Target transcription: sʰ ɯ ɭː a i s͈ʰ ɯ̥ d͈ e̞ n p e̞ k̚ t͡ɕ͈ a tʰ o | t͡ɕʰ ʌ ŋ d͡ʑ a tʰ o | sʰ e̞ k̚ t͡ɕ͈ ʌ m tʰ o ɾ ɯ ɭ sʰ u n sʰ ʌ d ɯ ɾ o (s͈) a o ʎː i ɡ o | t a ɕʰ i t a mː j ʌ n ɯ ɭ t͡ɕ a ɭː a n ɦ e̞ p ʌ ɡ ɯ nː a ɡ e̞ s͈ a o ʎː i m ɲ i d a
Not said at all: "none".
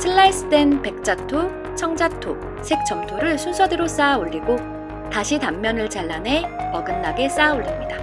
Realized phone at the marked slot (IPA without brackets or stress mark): s͈